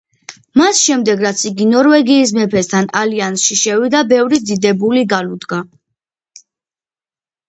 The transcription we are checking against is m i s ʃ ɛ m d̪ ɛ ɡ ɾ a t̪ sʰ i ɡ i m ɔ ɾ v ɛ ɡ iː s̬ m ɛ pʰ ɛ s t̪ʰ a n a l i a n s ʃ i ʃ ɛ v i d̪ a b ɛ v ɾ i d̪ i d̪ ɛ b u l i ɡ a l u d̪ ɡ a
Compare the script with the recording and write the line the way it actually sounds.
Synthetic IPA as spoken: m a s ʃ ɛ m d̪ ɛ ɡ ɾ a t̪ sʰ i ɡ i n ɔ ɾ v ɛ ɡ iː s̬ m ɛ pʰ ɛ s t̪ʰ a n a l i a n s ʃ i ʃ ɛ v i d̪ a b ɛ v ɾ i d̪ i d̪ ɛ b u l i ɡ a l u d̪ ɡ a